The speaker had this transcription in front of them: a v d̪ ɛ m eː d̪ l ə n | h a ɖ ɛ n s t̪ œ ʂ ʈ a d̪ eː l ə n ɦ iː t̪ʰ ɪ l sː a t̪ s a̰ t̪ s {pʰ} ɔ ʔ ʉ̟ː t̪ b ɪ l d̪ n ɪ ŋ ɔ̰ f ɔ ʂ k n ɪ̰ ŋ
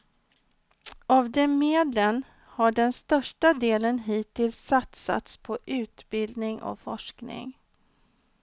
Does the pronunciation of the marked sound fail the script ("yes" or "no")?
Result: no